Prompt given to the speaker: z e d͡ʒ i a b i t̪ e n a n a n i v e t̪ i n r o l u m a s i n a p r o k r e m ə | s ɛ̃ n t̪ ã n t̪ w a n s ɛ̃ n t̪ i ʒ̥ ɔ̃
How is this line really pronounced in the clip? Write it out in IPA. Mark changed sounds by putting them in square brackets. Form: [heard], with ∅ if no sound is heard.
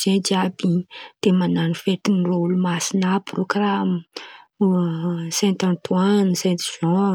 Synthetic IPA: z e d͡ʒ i a b i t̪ e [m] a n a n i [f] e t̪ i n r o l u m a s i n a p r o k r [a] m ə | s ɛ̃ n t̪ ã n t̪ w a n s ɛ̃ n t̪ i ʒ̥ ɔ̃